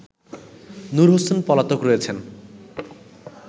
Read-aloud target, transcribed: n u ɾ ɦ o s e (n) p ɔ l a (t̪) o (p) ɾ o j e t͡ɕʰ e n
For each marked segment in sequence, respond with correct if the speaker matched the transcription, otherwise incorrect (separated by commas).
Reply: correct, correct, incorrect